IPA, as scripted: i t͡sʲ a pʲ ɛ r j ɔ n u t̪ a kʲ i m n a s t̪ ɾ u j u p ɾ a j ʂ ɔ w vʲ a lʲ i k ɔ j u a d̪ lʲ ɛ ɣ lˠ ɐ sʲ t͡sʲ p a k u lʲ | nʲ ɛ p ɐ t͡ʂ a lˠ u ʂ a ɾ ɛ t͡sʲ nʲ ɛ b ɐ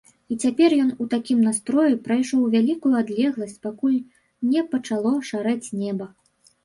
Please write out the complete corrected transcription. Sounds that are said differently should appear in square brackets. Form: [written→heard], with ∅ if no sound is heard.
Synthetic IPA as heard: i t͡sʲ a pʲ ɛ r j ɔ n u t̪ a kʲ i m n a s t̪ ɾ [u→ɔ] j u p ɾ a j ʂ ɔ w vʲ a lʲ i k [ɔ→u] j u a d̪ lʲ ɛ ɣ lˠ ɐ sʲ t͡sʲ p a k u lʲ | nʲ ɛ p ɐ t͡ʂ a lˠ [u→ɔ] ʂ a ɾ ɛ t͡sʲ nʲ ɛ b ɐ